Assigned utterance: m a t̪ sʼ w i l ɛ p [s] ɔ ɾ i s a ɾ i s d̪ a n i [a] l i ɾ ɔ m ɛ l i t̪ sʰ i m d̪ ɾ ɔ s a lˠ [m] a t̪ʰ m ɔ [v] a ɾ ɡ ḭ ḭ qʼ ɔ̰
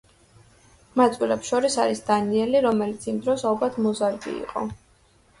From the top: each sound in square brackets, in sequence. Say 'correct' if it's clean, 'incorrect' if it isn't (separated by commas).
incorrect, incorrect, incorrect, incorrect